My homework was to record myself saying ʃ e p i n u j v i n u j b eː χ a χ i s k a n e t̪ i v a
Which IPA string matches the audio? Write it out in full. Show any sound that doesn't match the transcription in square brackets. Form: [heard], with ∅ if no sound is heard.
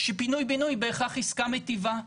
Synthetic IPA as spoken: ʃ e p i n u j [b] i n u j b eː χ a χ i s k a [m] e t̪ i v a